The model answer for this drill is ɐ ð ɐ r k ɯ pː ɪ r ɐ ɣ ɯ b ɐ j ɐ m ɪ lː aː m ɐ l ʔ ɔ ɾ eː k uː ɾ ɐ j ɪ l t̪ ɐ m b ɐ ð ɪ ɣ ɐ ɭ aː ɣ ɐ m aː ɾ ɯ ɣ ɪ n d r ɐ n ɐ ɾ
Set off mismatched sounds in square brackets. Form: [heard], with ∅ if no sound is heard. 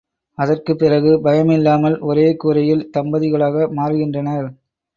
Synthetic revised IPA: ɐ ð ɐ r k ɯ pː ɪ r ɐ ɣ ɯ b ɐ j ɐ m ɪ lː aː m ɐ l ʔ ɔ ɾ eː k uː ɾ ɐ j ɪ l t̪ ɐ m b ɐ ð ɪ ɣ ɐ ɭ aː ɣ ɐ m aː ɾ ɯ ɣ ɪ n d r ɐ n ɐ ɾ